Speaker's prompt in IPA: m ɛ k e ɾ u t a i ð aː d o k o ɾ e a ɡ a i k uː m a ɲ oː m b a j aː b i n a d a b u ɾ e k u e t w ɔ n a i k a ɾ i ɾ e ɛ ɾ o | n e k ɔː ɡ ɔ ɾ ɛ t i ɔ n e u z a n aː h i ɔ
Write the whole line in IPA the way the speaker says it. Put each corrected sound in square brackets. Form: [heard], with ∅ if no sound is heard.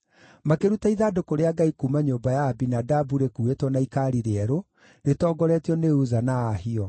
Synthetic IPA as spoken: m [a] k e ɾ u t a i ð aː d o k o ɾ e a ɡ a i k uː m a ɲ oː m b a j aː b i n a d a b u ɾ e k u e t w ɔ n a i k a ɾ i ɾ e ɛ ɾ o | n e [t] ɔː ɡ ɔ ɾ ɛ t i ɔ n e u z a n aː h i ɔ